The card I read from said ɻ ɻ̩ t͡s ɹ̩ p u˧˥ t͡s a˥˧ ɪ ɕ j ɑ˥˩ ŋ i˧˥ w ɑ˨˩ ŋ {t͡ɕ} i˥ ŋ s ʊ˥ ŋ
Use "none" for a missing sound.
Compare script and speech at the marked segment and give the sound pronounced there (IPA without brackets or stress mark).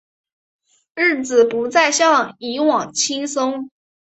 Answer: t͡ɕʰ